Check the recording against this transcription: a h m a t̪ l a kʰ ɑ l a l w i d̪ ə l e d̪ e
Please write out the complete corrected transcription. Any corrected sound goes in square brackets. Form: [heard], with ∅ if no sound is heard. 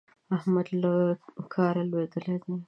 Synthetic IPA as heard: a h m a [d̪] l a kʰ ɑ [ɾ] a l w [e] d̪ ə l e d̪ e